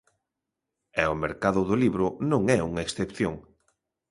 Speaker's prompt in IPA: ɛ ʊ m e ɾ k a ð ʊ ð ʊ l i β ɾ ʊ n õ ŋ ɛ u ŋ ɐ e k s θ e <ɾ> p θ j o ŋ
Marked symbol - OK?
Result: no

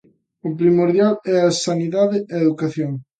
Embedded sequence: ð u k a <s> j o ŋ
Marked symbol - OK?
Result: no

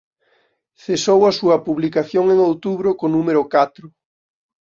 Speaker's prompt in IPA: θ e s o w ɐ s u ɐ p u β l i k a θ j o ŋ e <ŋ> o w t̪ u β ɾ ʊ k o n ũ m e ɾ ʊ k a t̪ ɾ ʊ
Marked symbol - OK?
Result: yes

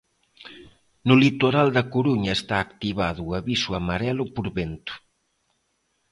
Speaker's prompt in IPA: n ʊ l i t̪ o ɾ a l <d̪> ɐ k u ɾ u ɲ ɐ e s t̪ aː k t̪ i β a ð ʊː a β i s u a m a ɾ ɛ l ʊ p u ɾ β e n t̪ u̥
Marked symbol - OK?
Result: yes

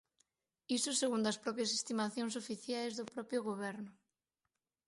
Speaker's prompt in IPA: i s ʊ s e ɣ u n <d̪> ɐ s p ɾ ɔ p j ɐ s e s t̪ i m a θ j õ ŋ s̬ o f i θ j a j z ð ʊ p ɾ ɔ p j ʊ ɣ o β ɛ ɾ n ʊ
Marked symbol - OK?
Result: yes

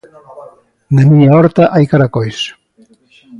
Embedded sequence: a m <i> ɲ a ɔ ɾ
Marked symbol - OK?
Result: yes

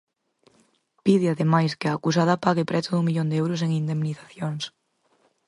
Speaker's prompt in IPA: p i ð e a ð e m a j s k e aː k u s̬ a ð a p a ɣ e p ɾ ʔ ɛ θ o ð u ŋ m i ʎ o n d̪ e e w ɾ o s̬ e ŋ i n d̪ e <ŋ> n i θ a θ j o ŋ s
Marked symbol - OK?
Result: no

